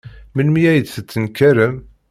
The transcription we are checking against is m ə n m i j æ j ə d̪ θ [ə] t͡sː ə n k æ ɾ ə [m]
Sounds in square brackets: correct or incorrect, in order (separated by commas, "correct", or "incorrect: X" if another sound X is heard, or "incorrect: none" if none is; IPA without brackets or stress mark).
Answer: correct, correct